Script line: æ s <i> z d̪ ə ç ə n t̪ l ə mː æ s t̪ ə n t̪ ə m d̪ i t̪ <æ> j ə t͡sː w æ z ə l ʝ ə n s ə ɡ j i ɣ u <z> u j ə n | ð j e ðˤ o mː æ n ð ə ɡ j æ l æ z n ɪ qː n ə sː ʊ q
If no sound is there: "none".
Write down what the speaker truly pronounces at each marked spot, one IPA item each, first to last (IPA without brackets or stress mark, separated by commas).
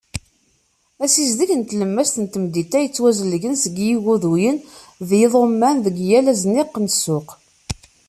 i, æ, ð